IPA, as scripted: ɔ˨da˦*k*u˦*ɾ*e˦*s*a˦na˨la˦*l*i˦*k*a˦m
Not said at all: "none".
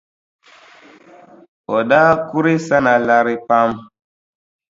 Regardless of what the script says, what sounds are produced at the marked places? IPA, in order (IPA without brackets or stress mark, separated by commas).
k, ɾ, s, ɾ, p